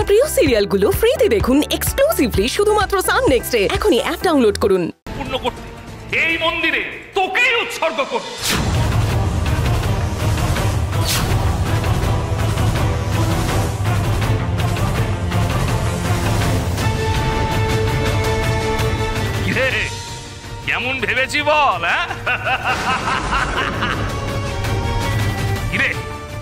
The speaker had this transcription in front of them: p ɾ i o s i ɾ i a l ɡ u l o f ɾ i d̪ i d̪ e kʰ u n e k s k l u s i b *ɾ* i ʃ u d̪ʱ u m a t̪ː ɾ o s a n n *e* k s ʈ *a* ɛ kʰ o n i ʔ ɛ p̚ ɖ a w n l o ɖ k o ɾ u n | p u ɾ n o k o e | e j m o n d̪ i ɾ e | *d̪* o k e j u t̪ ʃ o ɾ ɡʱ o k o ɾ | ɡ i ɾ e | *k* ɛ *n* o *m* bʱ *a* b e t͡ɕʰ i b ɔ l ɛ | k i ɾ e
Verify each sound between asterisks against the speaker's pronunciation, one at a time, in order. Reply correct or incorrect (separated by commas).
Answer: incorrect, correct, incorrect, incorrect, correct, incorrect, incorrect, incorrect